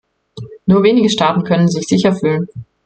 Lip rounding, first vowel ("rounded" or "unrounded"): rounded